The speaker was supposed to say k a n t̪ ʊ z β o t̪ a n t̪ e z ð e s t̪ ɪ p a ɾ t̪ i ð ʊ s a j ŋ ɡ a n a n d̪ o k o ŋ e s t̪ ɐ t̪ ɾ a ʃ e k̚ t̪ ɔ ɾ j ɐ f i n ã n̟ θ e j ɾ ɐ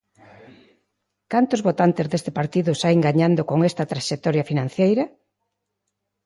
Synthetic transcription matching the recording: k a n t̪ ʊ z β o t̪ a n t̪ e z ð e s t̪ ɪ p a ɾ t̪ i ð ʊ s a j ŋ ɡ a ɲ a n d̪ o k o ŋ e s t̪ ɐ t̪ ɾ a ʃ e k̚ t̪ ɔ ɾ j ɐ f i n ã n̟ θ e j ɾ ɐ